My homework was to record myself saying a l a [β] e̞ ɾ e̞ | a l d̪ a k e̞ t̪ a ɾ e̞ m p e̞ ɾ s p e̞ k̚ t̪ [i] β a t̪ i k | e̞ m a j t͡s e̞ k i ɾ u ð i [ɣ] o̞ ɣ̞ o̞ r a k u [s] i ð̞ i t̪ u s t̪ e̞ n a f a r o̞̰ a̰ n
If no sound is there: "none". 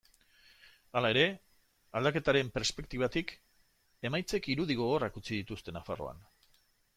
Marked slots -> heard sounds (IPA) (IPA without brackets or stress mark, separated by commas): none, i, ɣ, t͡s